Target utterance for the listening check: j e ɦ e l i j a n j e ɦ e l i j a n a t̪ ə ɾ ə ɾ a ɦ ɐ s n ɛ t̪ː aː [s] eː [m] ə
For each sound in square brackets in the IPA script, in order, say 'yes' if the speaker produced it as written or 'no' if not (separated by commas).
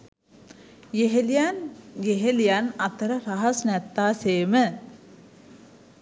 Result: yes, yes